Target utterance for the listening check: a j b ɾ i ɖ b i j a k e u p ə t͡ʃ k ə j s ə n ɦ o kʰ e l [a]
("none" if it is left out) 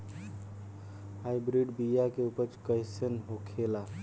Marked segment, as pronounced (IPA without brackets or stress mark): a